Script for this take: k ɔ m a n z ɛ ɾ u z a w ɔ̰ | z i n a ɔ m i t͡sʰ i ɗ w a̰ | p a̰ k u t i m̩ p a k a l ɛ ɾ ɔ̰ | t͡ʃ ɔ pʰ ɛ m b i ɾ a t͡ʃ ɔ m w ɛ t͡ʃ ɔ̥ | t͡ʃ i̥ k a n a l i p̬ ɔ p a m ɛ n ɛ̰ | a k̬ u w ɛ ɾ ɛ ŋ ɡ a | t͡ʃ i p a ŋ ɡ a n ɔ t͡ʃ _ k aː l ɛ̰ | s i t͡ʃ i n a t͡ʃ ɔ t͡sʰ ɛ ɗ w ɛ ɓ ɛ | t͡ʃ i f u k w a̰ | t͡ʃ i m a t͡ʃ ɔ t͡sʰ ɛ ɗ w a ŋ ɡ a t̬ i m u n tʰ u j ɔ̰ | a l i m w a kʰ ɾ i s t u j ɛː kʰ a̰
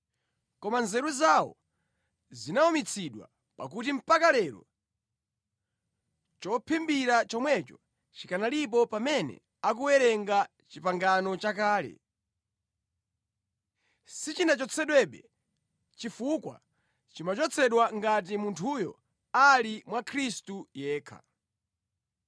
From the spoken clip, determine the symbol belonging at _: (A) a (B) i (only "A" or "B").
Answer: A